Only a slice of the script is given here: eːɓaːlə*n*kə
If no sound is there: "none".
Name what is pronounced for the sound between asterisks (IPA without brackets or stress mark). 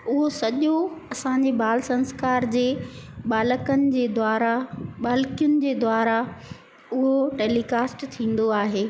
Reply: none